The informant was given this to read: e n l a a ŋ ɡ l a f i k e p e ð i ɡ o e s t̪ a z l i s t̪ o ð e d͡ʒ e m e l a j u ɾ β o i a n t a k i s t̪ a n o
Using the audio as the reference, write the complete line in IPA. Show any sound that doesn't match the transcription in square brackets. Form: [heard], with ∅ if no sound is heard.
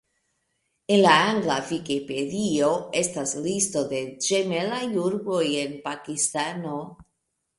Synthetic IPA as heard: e n l a a ŋ ɡ l a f i k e p e ð i [∅] o e s t̪ a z l i s t̪ o ð e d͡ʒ e m e l a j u ɾ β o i [e] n [p] a k i s t̪ a n o